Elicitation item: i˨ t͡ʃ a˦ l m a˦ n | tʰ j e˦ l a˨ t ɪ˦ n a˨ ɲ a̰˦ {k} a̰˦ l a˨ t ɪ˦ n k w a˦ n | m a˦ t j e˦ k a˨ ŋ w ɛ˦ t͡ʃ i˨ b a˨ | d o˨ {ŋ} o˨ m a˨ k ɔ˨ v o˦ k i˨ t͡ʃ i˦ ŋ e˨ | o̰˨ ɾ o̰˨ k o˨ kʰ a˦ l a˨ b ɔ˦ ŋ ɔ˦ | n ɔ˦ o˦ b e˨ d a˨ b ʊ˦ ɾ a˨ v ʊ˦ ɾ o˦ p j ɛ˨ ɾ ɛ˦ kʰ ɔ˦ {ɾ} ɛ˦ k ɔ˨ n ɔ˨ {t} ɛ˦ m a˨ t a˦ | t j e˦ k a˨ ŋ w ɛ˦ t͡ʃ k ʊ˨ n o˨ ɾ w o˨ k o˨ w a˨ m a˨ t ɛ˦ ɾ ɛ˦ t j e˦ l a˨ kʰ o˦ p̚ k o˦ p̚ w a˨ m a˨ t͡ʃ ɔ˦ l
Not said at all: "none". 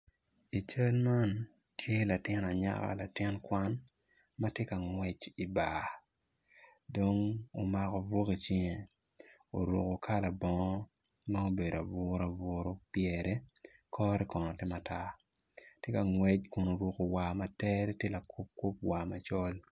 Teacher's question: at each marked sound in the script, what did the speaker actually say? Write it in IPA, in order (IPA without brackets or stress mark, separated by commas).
k, ŋ, ɾ, t